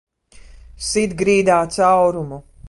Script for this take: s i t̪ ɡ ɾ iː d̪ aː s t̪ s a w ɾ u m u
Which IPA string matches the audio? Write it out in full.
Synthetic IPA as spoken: s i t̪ ɡ ɾ iː d̪ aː t̪ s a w ɾ u m u

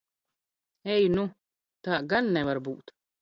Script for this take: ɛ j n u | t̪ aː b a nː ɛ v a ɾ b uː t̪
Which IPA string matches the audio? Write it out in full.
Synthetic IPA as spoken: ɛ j n u | t̪ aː ɡ a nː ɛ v a ɾ b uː t̪

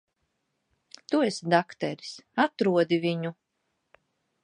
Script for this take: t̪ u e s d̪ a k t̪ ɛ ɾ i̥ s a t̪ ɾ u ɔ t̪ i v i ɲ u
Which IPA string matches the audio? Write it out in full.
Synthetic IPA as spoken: t̪ u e s d̪ a k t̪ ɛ ɾ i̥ s a t̪ ɾ u ɔ d̪ i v i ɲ u

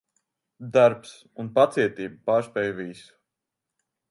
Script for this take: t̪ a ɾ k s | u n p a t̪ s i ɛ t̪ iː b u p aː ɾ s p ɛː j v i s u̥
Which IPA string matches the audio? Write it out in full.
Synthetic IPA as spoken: d̪ a ɾ p s | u n p a t̪ s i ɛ t̪ iː b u p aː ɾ s p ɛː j v i s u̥

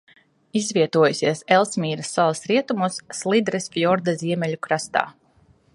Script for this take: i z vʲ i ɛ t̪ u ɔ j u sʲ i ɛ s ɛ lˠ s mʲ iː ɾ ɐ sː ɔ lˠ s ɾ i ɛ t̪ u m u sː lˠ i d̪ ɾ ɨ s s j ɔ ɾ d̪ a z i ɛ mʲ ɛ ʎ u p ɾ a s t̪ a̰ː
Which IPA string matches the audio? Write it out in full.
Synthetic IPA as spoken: i z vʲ i ɛ t̪ u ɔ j u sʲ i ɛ s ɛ lˠ s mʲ iː ɾ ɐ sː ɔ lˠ s ɾ i ɛ t̪ u m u sː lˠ i d̪ ɾ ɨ s f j ɔ ɾ d̪ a z i ɛ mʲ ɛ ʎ u k ɾ a s t̪ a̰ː

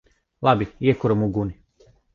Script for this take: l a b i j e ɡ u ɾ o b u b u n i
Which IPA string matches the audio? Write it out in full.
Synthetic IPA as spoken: l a b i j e k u ɾ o m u ɡ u n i

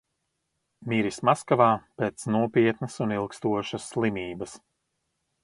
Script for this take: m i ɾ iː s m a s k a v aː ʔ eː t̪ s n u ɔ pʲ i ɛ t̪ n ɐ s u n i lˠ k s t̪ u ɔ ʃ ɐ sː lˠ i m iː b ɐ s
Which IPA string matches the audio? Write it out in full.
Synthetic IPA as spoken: m i ɾ i s m a s k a v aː p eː t̪ s n u ɔ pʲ i ɛ t̪ n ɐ s u n i lˠ k s t̪ u ɔ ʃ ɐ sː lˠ i m iː b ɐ s

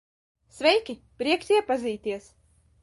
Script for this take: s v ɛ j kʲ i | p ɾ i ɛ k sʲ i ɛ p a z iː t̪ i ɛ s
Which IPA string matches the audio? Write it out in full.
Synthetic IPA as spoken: s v ɛ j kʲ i | p ɾ i ɛ k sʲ i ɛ p a z iː t̪ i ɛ s

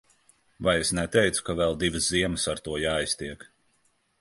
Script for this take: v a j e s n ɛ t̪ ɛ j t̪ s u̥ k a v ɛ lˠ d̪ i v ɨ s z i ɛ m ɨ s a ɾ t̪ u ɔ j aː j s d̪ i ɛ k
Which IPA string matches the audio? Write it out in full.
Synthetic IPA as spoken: v a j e s n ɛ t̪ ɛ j t̪ s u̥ k a v ɛ lˠ d̪ i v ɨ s z i ɛ m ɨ s a ɾ t̪ u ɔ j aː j s t̪ i ɛ k

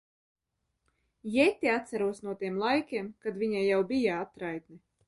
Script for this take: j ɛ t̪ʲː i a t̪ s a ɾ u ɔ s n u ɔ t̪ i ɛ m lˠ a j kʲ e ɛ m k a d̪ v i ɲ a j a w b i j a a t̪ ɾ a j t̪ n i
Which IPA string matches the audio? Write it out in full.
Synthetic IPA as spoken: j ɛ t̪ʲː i a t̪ s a ɾ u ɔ s n u ɔ t̪ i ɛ m lˠ a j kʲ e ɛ m k a d̪ v i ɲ a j a w b i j a a t̪ ɾ a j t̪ n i

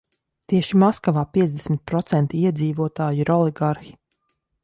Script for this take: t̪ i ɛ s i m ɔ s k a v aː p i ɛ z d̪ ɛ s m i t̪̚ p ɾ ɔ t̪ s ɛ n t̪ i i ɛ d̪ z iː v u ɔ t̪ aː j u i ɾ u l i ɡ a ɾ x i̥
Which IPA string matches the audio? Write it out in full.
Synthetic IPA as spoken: t̪ i ɛ ʃ i m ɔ s k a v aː p i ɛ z d̪ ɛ s m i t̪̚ p ɾ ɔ t̪ s ɛ n t̪ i i ɛ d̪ z iː v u ɔ t̪ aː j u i ɾ ɔ l i ɡ a ɾ x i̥

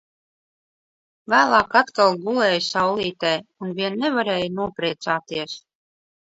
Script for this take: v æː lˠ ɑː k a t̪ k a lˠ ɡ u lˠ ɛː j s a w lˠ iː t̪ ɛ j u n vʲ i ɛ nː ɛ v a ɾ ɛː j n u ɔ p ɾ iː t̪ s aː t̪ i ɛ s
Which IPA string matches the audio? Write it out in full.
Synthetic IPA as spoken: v æː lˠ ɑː k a t̪ k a lˠ ɡ u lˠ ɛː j s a w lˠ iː t̪ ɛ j u n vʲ i ɛ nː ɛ v a ɾ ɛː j n u ɔ p ɾ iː t̪ s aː t̪ i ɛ s

